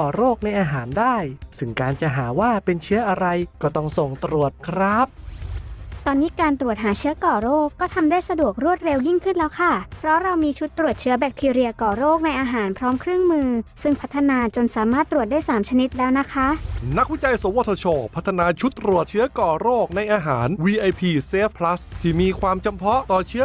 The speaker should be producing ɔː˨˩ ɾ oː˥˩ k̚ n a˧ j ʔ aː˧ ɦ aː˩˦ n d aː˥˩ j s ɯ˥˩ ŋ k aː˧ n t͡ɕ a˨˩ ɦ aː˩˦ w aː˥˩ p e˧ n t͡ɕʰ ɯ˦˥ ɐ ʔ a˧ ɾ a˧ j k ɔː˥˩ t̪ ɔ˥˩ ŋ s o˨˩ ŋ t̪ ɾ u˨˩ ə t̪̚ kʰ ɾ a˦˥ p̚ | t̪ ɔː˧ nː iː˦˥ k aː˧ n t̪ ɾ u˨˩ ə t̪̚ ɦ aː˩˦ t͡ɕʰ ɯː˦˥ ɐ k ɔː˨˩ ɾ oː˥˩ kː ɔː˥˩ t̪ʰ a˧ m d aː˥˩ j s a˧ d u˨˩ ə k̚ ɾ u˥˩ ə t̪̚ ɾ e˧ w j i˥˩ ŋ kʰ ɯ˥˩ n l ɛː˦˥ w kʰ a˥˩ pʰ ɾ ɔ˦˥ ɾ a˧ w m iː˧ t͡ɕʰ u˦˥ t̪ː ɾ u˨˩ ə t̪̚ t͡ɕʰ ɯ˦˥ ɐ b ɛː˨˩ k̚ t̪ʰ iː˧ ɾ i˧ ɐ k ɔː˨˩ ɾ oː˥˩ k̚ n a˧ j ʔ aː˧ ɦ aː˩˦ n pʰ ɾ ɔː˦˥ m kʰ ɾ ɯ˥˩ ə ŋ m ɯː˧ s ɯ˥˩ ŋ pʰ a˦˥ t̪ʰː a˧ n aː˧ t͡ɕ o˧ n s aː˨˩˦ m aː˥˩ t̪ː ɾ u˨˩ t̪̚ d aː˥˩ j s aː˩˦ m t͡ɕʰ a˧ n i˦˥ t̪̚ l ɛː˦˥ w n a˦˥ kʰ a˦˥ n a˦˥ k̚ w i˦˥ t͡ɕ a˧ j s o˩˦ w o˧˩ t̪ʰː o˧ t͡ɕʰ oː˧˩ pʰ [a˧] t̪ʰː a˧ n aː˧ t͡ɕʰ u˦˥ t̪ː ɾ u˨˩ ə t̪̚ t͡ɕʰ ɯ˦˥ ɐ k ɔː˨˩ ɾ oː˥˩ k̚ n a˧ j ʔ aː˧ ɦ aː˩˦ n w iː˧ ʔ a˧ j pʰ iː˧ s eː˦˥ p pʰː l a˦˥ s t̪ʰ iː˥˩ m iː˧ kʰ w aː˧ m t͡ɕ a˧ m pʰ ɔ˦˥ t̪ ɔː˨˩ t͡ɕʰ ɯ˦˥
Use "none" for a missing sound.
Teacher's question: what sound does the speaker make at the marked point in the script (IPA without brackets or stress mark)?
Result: a˦˥